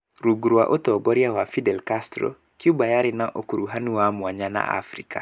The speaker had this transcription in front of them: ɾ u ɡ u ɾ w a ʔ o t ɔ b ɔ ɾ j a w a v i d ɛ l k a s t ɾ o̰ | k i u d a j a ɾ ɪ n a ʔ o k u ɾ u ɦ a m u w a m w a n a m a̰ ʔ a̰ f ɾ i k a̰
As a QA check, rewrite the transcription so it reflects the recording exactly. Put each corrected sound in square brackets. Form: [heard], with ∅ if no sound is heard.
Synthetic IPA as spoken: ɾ u ɡ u ɾ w a ʔ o t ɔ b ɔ ɾ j a w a [f] i d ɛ l k a s t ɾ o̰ | k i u [b] a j a ɾ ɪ n a ʔ o k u ɾ u ɦ a [n] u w a m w a [ɲ] a [n] a̰ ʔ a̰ f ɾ i k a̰